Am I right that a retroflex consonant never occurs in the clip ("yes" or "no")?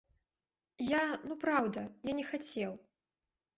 yes